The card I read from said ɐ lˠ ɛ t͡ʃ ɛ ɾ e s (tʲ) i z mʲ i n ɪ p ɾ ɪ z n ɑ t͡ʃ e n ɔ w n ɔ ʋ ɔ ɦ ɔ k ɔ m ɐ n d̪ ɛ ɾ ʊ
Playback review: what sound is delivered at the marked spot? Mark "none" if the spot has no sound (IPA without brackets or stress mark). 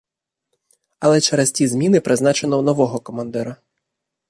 tʲ